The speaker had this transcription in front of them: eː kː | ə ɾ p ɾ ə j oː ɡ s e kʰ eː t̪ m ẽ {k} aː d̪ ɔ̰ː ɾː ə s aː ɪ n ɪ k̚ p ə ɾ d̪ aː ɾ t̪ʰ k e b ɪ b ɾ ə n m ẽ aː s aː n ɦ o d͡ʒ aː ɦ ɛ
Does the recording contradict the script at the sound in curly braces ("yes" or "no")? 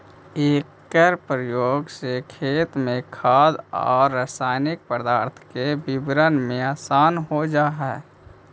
yes